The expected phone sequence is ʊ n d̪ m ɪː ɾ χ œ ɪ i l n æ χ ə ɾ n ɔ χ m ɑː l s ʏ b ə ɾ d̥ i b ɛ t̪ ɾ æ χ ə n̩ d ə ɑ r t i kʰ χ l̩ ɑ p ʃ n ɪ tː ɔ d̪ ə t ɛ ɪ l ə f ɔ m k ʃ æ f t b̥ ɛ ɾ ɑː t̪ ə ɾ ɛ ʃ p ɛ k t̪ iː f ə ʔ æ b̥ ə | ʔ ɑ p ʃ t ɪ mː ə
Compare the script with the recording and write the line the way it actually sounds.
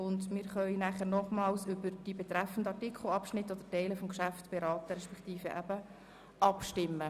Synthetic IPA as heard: ʊ n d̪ m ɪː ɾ χ œ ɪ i n æ χ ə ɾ n ɔ χ m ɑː l s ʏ b ə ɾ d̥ i b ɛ t̪ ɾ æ f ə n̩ d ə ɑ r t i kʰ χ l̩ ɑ p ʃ n ɪ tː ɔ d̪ ə t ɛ ɪ l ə f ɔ m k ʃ æ f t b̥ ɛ ɾ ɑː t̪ ə ɾ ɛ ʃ p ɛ k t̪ iː f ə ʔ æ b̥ ə | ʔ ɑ p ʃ t ɪ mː ə